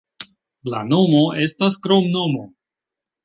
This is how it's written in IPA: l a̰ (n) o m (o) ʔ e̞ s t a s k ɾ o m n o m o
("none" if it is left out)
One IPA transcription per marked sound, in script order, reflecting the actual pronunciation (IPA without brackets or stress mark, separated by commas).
n, o